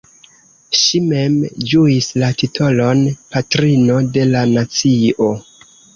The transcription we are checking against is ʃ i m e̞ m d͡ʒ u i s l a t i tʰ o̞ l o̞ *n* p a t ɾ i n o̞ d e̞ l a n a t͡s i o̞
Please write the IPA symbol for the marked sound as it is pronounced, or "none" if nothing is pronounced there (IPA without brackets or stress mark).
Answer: n